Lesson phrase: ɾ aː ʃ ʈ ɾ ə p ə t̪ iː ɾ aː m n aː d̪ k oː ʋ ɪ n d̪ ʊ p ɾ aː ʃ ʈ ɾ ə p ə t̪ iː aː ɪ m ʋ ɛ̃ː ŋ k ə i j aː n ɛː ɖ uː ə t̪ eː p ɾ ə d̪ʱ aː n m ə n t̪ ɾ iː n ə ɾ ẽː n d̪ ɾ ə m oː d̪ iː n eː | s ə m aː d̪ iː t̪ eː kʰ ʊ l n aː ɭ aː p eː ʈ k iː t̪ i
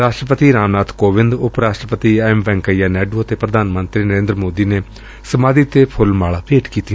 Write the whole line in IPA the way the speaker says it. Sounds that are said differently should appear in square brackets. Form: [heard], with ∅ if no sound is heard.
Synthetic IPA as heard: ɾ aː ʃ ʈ ɾ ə p ə t̪ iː ɾ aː m n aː [t̪] k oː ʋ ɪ n d̪ ʊ p ɾ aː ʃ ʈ ɾ ə p ə t̪ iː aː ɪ m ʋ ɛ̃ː ŋ k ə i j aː n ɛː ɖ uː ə t̪ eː p ɾ ə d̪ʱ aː n m ə n t̪ ɾ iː n ə ɾ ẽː n d̪ ɾ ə m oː d̪ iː n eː | s ə m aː d̪ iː t̪ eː [pʰ] ʊ l [m] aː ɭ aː p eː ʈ k iː t̪ i